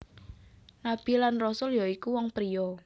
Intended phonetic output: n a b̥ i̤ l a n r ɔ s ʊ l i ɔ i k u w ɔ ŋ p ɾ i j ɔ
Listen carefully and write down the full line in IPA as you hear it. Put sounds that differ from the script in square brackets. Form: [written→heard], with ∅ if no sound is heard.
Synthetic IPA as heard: n a b̥ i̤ l a n r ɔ s ʊ l [i→j] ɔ i k u w ɔ ŋ p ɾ i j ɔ